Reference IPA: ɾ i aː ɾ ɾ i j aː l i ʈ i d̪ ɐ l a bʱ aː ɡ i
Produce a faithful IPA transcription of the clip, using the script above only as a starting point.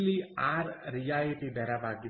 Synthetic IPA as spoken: l i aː ɾ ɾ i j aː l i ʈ i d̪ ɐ ɾ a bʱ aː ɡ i

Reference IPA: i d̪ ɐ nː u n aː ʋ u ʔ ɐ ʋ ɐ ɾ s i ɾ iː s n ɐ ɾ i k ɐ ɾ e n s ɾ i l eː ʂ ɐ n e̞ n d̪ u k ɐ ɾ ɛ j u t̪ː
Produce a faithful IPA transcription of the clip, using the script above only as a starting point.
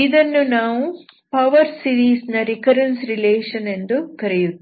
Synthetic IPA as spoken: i d̪ ɐ nː u n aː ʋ u p ɐ ʋ ɐ ɾ s i ɾ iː s n ɐ ɾ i k ɐ ɾ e n s ɾ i l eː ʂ ɐ n e̞ n d̪ u k ɐ ɾ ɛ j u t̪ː

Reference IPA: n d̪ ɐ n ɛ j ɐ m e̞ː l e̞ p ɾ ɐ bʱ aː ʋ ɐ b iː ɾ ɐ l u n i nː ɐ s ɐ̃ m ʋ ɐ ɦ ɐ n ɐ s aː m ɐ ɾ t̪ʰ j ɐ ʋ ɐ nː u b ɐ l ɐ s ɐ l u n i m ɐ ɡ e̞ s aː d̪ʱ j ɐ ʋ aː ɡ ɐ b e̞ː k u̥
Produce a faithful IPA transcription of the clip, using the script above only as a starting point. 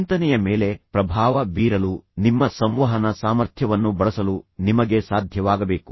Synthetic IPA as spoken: n t̪ ɐ n ɛ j ɐ m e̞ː l e̞ p ɾ ɐ bʱ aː ʋ ɐ b iː ɾ ɐ l u n i mː ɐ s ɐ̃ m ʋ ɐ ɦ ɐ n ɐ s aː m ɐ ɾ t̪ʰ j ɐ ʋ ɐ nː u b ɐ ɭ ɐ s ɐ l u n i m ɐ ɡ e̞ s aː d̪ʱ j ɐ ʋ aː ɡ ɐ b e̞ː k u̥

